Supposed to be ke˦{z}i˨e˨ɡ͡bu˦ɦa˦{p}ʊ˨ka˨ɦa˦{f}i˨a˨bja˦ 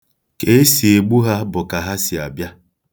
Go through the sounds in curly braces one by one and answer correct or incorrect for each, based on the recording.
incorrect: s, incorrect: b, incorrect: s

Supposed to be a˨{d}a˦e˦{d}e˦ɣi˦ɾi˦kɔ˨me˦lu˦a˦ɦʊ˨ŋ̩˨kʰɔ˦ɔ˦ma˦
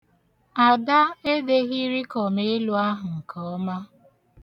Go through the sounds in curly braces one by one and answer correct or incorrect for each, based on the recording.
correct, correct

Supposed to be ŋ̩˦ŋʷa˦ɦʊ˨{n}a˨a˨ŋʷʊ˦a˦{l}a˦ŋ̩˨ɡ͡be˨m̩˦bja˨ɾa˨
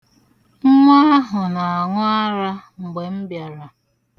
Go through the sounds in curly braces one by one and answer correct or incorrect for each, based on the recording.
correct, incorrect: ɾ

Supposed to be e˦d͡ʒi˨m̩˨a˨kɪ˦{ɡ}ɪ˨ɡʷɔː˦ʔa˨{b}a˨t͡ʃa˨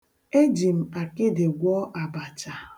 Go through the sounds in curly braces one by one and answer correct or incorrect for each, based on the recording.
incorrect: d, correct

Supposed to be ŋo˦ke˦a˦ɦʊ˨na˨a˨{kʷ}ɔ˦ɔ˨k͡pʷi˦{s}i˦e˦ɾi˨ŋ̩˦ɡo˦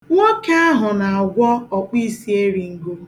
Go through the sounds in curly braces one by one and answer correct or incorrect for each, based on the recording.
incorrect: ɡʷ, correct

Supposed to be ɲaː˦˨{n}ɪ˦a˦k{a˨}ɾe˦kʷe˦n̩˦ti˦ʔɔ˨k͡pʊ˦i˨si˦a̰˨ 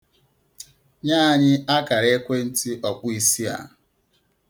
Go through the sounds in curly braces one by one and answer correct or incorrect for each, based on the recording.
incorrect: ɲ, correct

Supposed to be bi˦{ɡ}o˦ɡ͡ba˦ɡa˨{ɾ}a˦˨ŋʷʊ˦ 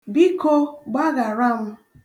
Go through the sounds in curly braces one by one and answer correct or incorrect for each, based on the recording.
incorrect: k, correct

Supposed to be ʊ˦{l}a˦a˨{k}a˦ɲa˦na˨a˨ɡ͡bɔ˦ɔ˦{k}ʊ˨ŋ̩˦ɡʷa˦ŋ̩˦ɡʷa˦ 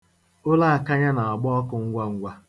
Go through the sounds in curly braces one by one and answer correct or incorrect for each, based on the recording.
correct, correct, correct

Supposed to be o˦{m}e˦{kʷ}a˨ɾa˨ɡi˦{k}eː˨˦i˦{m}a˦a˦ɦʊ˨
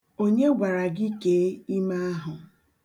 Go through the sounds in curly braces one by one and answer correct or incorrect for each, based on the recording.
incorrect: ɲ, incorrect: ɡʷ, correct, correct

